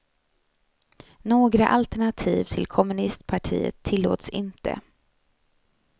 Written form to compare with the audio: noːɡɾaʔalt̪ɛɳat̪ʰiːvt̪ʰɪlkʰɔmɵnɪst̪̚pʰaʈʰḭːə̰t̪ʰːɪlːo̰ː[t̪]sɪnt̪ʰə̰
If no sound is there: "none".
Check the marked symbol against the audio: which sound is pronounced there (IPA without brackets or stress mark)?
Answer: t̪